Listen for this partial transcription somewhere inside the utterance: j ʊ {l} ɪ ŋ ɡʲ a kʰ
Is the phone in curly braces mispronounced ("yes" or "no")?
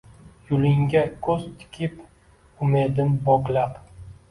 no